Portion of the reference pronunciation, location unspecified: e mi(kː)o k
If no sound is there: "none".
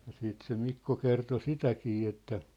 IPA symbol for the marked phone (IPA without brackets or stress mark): kː